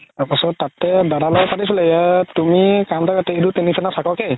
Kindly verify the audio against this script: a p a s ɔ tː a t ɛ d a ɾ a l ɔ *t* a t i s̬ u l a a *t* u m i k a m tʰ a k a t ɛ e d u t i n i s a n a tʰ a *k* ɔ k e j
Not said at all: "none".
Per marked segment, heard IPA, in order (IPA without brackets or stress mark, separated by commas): p, t, k